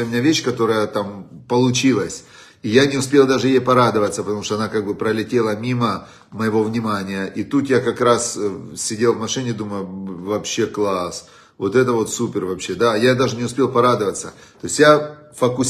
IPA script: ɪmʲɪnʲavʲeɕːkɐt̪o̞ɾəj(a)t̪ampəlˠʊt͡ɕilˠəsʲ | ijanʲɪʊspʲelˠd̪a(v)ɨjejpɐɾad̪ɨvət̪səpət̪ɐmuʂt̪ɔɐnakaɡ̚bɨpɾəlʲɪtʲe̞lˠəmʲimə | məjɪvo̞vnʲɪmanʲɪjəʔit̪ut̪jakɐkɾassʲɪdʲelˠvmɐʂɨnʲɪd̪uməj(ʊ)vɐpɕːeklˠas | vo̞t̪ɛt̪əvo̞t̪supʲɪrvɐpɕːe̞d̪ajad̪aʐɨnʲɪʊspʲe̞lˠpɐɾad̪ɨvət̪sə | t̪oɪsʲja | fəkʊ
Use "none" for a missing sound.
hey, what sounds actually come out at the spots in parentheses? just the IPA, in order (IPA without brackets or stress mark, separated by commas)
ə, ʐ, ʊ